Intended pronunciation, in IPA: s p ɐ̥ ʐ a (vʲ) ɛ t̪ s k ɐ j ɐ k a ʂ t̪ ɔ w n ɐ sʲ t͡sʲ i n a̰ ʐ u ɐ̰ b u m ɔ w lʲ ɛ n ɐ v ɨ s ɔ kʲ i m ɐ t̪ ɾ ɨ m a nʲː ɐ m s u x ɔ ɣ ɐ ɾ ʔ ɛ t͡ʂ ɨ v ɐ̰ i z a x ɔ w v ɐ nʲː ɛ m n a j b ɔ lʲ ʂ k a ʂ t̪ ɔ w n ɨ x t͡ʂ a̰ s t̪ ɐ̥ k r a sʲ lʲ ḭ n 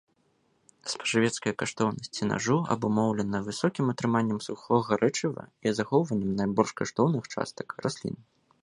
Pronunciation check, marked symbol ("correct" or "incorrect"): correct